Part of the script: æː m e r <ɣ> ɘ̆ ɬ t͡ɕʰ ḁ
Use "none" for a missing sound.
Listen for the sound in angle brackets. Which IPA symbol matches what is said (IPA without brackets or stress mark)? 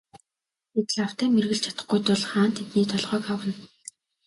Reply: ɣ